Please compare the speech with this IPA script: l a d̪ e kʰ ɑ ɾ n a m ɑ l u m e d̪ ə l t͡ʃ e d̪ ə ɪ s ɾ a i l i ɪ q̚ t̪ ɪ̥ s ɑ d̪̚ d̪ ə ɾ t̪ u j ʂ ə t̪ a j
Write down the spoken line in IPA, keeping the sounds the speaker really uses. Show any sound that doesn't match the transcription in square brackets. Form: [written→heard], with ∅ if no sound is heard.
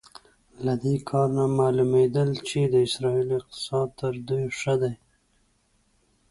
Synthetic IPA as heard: l a d̪ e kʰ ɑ ɾ n a m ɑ l u m e d̪ ə l t͡ʃ e d̪ ə ɪ s ɾ [a→ɑ] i l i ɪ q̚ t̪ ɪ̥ s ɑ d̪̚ [d̪→t̪] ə ɾ [t̪→d̪] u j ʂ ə [t̪→d̪] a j